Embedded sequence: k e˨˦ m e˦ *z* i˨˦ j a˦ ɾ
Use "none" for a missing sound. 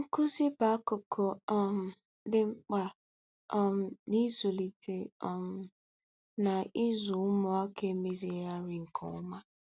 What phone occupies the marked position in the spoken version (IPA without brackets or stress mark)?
z